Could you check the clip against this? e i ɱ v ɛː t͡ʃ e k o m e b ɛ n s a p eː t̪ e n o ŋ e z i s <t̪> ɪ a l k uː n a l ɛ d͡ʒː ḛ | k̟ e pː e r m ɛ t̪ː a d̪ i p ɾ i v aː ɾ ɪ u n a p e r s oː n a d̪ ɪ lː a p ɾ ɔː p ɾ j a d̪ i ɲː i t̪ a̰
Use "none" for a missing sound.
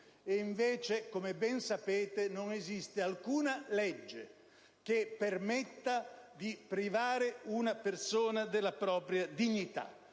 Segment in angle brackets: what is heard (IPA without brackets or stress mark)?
t̪